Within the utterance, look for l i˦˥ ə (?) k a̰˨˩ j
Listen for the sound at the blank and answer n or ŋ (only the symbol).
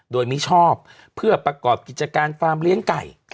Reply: ŋ